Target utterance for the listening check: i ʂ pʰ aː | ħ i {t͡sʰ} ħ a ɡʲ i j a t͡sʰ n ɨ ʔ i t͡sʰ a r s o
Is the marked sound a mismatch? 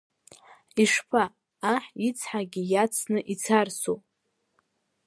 no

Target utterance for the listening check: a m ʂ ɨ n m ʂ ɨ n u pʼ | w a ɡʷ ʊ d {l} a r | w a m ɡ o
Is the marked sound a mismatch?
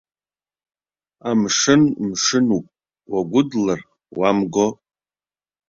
no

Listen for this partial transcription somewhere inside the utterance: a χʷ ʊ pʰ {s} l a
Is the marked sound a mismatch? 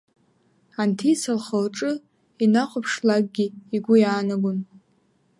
yes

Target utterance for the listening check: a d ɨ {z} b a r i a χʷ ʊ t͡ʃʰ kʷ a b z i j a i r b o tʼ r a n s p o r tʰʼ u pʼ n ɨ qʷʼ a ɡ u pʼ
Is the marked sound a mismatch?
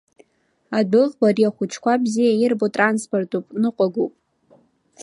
yes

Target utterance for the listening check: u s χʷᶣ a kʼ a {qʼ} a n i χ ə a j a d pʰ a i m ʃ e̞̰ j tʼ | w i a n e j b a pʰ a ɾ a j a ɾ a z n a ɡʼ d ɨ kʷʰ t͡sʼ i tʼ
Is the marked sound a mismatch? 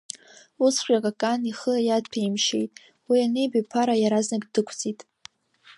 yes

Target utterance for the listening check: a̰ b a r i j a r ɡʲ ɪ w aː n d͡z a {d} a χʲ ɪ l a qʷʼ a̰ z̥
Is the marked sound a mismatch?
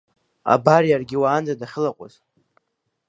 no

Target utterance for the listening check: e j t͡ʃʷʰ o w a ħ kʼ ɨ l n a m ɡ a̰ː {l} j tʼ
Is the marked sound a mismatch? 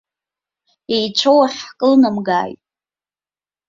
yes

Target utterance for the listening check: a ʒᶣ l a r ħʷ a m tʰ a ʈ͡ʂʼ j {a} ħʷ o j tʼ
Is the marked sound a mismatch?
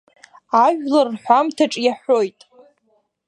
no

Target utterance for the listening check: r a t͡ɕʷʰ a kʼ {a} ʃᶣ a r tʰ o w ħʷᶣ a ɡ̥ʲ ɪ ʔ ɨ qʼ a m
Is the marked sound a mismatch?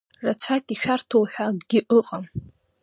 yes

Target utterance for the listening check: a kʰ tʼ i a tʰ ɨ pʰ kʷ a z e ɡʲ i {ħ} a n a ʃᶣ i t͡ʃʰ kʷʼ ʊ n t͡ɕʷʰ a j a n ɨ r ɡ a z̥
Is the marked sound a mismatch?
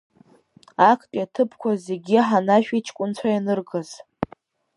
no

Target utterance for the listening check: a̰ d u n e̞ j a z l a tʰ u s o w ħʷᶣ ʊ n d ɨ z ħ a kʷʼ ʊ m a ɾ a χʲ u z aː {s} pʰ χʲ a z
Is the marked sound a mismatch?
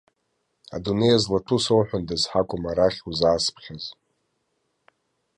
no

